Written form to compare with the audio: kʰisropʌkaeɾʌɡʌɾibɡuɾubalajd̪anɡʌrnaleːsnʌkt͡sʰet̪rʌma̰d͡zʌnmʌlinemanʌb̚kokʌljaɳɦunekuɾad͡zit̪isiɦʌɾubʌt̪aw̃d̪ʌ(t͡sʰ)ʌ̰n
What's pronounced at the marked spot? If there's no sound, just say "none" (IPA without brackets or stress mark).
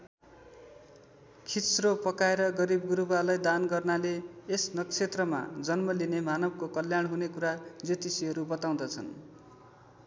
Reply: t͡sʰ